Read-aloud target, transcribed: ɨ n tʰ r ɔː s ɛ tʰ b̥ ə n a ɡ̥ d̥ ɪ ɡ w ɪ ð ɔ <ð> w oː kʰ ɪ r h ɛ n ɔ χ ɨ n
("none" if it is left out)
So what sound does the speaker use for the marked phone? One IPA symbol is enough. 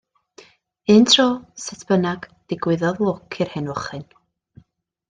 ð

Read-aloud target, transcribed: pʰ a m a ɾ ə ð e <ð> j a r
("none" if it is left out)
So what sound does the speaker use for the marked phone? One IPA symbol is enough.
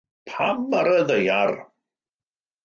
none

